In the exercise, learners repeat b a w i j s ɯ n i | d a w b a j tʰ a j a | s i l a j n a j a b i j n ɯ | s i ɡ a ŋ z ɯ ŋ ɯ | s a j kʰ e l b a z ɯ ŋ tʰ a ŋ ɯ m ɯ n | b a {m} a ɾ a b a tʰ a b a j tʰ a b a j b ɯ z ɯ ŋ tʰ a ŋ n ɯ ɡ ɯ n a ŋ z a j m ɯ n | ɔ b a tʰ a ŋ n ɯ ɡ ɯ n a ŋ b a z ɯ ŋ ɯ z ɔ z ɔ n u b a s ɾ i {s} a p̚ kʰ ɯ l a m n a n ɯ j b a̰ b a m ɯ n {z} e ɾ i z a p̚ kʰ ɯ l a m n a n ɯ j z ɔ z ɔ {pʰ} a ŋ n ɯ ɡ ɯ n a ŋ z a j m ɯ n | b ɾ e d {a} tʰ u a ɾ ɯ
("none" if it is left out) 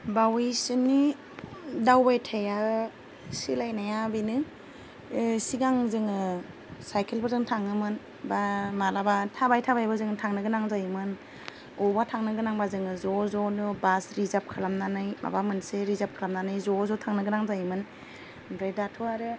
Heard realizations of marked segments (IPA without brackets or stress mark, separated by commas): m, z, s, tʰ, a